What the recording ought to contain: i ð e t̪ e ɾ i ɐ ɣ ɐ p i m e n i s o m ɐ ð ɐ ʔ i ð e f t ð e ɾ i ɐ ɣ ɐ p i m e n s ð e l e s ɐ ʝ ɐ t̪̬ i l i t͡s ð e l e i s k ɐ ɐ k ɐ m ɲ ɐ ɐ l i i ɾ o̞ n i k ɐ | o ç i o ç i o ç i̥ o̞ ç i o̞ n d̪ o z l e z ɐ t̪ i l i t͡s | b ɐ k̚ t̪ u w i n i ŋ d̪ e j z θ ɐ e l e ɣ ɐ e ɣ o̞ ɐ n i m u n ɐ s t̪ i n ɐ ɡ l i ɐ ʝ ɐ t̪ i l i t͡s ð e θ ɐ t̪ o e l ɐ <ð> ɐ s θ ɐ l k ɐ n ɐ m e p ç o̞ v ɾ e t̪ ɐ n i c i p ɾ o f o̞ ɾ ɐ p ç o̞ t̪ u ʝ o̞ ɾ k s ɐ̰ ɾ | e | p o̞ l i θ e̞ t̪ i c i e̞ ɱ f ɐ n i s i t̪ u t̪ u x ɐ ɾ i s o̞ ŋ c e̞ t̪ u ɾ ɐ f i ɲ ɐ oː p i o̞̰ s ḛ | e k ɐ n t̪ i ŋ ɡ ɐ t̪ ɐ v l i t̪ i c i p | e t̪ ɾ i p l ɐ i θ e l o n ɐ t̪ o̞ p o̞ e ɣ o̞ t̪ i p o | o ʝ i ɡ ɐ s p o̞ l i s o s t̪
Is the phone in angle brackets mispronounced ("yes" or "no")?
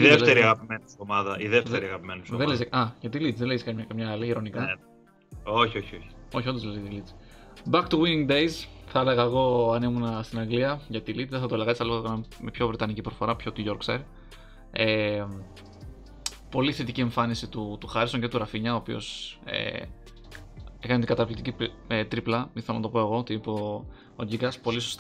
yes